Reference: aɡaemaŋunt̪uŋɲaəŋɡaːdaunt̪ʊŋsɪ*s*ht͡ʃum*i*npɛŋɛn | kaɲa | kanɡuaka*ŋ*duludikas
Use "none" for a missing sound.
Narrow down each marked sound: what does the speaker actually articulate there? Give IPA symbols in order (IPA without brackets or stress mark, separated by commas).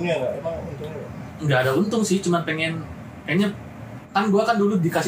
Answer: none, a, n